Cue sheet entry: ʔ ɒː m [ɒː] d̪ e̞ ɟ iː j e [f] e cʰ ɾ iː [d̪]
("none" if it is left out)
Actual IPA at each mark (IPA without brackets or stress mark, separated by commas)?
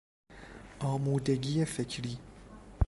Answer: uː, f, none